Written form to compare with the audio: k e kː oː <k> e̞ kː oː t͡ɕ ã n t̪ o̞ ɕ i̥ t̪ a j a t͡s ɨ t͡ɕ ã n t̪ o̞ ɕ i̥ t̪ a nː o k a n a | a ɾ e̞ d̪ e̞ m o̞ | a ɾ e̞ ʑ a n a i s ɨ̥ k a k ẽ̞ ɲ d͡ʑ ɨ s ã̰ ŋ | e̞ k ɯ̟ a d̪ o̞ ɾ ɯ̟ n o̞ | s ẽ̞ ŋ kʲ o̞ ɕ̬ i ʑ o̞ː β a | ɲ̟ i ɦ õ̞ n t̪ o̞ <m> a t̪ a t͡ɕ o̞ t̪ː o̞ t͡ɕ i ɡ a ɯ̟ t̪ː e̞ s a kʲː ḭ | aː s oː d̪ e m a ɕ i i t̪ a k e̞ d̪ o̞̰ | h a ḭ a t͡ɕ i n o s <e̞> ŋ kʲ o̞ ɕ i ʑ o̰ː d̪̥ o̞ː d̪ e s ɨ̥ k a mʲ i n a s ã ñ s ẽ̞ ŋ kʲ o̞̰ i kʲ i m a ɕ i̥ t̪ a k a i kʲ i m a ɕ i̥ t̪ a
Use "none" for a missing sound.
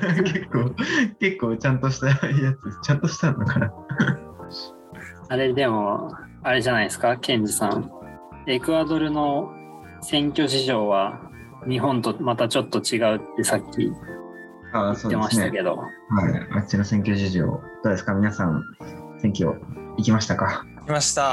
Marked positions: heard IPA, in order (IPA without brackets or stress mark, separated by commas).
k, m, ẽ̞